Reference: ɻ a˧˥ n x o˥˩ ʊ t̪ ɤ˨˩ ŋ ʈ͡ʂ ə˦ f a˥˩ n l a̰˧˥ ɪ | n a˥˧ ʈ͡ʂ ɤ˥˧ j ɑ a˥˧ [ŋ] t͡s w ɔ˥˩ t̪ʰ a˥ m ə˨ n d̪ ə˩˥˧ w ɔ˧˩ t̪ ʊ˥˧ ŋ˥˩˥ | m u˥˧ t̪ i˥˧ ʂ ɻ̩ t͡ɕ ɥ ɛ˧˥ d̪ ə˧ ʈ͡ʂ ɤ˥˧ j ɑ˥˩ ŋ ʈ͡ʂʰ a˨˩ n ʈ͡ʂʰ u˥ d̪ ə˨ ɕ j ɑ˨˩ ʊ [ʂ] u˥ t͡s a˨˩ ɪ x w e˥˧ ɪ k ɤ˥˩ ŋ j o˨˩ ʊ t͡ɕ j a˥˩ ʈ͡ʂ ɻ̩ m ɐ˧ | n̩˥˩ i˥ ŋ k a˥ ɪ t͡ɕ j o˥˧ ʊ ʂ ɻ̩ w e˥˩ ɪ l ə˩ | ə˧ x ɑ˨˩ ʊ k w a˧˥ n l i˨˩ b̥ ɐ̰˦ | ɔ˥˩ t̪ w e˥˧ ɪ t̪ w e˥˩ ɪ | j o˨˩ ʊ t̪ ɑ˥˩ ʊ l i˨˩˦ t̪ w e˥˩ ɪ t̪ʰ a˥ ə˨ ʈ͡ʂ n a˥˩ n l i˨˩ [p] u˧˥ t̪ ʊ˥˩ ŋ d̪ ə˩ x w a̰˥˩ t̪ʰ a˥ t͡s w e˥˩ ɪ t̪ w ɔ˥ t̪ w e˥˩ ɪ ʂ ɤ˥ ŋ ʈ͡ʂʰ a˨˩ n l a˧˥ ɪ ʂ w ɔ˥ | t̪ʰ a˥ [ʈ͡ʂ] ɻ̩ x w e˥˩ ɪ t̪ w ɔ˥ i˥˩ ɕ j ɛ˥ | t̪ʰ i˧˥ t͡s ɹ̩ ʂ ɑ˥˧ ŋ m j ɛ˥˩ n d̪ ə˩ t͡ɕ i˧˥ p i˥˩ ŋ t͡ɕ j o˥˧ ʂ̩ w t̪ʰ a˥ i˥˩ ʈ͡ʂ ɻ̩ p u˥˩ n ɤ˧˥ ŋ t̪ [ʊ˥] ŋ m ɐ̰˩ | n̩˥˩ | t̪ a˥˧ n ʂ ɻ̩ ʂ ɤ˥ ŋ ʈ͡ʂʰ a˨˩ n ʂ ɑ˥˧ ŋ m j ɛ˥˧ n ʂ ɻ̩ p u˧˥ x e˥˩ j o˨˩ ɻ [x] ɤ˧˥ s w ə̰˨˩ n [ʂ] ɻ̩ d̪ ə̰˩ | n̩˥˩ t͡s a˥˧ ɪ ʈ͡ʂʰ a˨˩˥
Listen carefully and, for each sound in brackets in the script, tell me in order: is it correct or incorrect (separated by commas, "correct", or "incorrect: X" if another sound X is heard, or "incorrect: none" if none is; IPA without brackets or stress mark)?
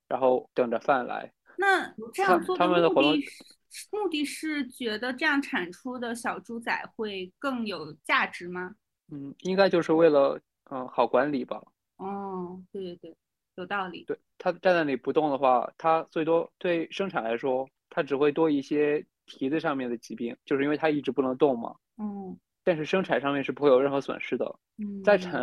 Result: correct, incorrect: ʈ͡ʂ, correct, correct, incorrect: ʊ˥˩, correct, correct